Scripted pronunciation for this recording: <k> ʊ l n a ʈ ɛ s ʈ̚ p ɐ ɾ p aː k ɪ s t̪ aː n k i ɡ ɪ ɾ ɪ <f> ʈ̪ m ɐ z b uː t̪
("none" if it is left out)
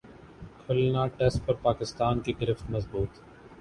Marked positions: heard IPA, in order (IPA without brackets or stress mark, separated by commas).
kʰ, f